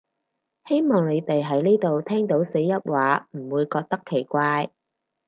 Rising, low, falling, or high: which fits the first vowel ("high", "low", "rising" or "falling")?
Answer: high